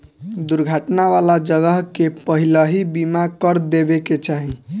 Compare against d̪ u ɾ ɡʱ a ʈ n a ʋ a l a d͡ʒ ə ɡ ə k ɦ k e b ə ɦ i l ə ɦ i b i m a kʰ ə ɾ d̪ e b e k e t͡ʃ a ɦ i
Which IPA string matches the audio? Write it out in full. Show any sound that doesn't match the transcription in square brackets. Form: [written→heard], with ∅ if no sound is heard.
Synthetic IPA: d̪ u ɾ ɡʱ a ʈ n a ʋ a l a d͡ʒ ə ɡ ə [k→∅] ɦ k e [b→p] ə ɦ i l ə ɦ i b i m a [kʰ→k] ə ɾ d̪ e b e k e t͡ʃ a ɦ i